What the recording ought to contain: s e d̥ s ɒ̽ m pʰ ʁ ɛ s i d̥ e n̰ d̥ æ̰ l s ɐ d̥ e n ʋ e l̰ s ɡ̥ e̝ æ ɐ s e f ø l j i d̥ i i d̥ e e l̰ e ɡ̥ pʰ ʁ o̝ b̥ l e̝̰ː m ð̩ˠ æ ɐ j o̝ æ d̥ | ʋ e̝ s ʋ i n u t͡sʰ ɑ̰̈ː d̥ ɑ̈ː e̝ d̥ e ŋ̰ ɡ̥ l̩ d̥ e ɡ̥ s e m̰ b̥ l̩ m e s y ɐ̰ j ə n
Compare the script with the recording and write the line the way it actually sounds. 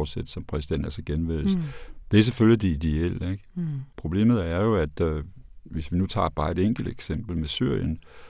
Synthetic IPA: s e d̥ s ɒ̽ m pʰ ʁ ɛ s i d̥ e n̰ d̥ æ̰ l s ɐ ɡ̥ e n ʋ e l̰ s d̥ e̝ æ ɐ s e f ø l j i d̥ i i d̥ e e l̰ e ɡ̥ pʰ ʁ o̝ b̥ l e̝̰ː m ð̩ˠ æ ɐ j o̝ æ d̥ | ʋ e̝ s ʋ i n u t͡sʰ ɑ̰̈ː b̥ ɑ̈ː e̝ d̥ e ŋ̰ ɡ̥ l̩ d̥ e ɡ̥ s e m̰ b̥ l̩ m e s y ɐ̰ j ə n